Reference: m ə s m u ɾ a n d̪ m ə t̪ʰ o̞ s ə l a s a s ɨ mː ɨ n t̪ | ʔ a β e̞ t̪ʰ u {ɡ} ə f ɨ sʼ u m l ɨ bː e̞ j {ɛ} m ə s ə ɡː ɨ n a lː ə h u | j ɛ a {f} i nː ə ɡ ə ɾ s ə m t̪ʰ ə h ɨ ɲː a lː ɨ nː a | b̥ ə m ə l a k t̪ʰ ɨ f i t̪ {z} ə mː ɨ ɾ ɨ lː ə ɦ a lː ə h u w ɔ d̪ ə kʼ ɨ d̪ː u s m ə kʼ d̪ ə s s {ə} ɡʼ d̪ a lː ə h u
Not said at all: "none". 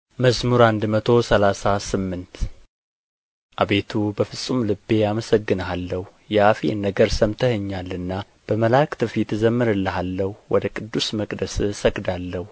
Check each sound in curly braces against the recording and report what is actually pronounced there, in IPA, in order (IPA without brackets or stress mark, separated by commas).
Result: b, a, f, z, ə